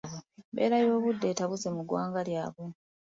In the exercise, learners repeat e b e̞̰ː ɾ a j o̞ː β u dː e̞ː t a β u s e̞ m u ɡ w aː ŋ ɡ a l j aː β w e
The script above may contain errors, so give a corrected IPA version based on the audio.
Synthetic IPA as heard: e b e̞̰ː ɾ a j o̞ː β u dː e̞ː t a β u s e̞ m u ɡ w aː ŋ ɡ a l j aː β w e